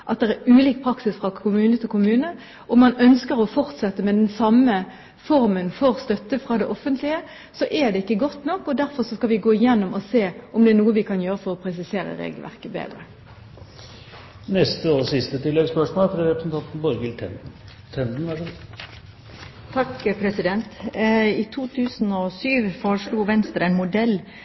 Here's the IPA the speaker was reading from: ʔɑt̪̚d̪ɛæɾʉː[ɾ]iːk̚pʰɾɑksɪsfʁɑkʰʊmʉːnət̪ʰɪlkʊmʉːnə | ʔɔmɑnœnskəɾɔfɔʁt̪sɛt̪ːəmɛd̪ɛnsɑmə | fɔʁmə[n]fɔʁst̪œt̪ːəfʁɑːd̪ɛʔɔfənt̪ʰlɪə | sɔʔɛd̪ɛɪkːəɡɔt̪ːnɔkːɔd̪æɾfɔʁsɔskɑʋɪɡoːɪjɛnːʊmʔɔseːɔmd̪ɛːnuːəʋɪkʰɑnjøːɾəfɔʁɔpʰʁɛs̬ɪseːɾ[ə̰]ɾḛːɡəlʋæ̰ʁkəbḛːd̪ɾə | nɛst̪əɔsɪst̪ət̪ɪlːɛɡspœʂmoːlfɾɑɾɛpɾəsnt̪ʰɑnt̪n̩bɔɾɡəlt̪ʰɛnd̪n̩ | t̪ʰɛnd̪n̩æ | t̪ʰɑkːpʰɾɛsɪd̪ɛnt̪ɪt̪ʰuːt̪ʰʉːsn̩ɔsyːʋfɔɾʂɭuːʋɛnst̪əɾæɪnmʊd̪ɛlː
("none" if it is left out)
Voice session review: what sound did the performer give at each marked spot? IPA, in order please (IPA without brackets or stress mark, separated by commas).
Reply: l, n, ə̰